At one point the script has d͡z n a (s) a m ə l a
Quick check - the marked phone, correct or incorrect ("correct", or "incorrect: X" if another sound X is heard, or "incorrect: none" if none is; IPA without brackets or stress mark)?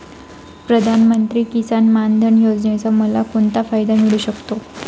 incorrect: t͡s